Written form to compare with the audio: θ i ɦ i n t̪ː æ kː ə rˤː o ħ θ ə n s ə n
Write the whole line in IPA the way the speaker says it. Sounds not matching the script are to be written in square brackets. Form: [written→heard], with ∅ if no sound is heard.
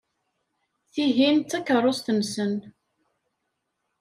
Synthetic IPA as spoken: θ i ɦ i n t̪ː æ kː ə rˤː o [ħ→s] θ ə n s ə n